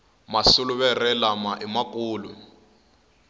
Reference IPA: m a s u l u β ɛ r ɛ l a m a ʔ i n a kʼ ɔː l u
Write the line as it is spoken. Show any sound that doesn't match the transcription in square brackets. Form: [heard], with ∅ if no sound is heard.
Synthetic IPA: m a s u l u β ɛ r ɛ l a m a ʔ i [m] a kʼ [uː] l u